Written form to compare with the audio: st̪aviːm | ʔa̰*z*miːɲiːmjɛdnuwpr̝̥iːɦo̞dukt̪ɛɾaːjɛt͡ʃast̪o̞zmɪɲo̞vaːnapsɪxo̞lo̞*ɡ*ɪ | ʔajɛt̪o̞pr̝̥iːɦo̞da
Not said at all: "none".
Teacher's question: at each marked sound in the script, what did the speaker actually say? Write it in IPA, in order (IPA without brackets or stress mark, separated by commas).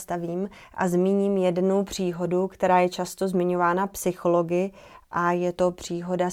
z, ɡ